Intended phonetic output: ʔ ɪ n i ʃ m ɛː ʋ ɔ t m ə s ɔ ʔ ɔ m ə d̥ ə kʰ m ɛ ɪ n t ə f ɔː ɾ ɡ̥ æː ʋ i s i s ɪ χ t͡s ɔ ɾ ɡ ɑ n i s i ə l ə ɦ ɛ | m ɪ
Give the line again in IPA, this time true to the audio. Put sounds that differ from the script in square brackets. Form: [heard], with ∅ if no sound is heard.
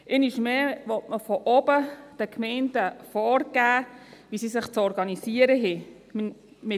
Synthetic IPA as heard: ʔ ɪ n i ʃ m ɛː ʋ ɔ t m ə [f] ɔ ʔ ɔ [b] ə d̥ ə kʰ m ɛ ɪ n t ə f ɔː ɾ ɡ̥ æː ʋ i s i s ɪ χ t͡s ɔ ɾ ɡ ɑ n i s i ə [ɾ] ə ɦ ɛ | m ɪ